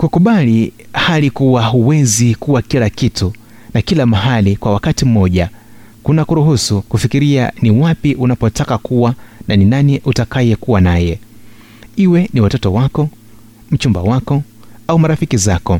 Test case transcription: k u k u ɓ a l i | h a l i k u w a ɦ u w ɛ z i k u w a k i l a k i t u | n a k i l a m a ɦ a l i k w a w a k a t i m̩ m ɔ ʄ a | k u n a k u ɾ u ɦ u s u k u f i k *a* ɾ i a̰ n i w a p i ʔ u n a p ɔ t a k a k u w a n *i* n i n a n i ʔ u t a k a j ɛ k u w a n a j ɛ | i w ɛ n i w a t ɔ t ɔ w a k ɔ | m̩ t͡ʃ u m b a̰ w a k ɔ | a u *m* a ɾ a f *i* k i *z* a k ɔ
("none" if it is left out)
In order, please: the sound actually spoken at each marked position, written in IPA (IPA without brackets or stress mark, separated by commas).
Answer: i, a, m, i, z